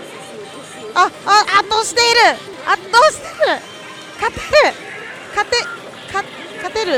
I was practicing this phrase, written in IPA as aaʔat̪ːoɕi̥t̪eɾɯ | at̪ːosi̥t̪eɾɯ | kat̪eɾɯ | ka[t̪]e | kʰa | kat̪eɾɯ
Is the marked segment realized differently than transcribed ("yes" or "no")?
no